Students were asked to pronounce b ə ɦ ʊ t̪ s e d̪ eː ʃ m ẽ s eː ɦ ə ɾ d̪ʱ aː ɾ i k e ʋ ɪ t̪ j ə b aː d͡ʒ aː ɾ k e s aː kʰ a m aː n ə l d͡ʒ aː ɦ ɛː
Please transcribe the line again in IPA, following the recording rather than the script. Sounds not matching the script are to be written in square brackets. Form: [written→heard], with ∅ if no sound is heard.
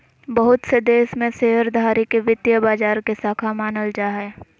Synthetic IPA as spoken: b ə ɦ ʊ t̪ s e d̪ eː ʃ m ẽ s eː ɦ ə ɾ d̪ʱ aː ɾ i k e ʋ ɪ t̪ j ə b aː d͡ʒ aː ɾ k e s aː kʰ a m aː n ə l d͡ʒ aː ɦ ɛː